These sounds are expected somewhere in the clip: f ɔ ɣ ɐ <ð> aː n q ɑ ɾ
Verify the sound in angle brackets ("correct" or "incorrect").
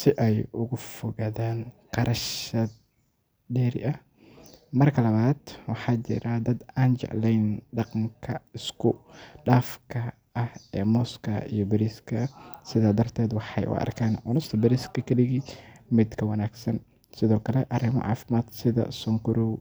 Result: correct